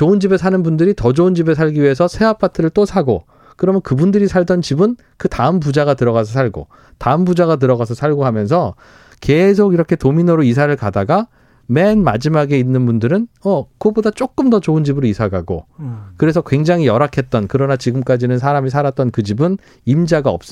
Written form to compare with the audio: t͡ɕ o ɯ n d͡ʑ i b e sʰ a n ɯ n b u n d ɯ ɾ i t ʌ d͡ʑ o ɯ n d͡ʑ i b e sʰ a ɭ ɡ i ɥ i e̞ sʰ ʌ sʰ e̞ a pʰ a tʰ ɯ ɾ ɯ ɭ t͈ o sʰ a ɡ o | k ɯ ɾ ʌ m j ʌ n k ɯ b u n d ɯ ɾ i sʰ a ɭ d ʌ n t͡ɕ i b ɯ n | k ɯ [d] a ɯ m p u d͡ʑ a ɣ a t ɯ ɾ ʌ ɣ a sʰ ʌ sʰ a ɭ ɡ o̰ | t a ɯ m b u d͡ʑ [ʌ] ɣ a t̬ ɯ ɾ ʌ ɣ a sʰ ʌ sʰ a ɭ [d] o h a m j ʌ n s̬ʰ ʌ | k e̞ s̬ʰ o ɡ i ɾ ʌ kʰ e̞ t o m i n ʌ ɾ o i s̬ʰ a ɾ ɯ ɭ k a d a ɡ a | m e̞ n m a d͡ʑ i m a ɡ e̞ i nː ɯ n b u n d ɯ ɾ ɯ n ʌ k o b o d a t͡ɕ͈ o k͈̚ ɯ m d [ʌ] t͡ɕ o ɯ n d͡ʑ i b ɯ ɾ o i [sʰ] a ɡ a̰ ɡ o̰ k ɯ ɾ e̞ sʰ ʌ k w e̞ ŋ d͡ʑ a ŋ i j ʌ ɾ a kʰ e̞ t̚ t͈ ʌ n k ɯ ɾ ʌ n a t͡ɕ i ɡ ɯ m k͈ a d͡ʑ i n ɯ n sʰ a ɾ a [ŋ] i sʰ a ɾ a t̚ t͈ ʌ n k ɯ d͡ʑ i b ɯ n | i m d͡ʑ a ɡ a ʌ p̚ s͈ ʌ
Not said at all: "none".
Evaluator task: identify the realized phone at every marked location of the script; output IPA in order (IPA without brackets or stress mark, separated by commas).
t, a, ɡ, ʌ, sʰ, m